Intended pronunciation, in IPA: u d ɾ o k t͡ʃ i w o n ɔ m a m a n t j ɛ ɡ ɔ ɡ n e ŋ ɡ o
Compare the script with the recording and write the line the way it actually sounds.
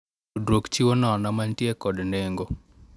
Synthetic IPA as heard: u d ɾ o k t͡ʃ i w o n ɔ n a m a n t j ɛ k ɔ d n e ŋ ɡ o